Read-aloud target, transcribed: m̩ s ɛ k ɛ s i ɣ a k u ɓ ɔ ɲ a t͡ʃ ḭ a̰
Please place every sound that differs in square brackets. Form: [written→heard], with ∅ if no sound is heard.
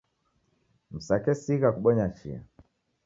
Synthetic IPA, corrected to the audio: m̩ s [ɛ→a] k ɛ s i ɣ a k u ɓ ɔ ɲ a t͡ʃ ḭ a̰